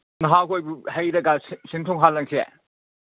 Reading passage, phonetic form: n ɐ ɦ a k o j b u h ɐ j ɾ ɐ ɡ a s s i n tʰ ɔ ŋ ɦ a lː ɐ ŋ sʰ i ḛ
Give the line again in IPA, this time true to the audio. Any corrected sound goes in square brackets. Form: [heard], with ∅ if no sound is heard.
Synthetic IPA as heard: n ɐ ɦ a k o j b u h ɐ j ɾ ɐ ɡ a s s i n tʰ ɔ ŋ ɦ a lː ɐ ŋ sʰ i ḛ